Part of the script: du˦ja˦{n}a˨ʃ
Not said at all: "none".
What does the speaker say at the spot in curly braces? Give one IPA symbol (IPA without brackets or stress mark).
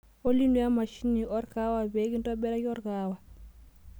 m